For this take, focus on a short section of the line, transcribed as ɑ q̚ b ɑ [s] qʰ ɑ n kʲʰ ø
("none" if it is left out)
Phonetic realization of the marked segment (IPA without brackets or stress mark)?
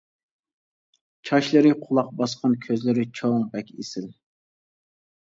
s